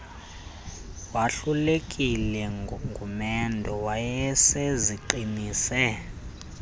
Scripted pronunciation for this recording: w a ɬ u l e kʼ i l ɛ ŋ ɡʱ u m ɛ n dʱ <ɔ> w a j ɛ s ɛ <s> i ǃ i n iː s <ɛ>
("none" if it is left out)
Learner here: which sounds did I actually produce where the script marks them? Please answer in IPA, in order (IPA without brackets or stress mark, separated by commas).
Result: ɔ, z, ɛ